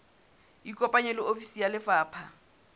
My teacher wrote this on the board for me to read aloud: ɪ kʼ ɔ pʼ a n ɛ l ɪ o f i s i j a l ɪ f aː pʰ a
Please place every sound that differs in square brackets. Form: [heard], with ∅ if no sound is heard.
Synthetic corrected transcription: [i] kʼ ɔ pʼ a [ɲ] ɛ l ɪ o f i s i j a l ɪ f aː pʰ a